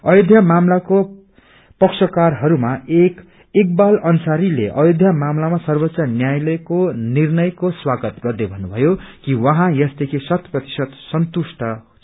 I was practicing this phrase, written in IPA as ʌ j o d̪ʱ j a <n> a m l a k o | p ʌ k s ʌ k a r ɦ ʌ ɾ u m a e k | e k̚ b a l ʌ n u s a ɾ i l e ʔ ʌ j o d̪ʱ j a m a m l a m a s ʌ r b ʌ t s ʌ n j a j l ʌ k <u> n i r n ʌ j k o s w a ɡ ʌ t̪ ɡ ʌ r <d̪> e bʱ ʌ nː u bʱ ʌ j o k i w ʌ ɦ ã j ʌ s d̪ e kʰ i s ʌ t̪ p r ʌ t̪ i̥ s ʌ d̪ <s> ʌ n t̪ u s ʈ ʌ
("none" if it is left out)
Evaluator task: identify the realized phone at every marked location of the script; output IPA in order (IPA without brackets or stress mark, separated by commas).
m, o, d̪, s